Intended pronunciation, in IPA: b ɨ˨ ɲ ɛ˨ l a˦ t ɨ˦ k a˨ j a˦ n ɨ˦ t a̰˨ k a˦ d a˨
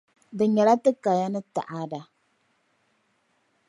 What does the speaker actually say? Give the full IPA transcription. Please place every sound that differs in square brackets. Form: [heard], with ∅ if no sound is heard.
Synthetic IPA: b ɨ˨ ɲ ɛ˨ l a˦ t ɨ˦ k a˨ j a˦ n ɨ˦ t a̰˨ [ʔ] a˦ d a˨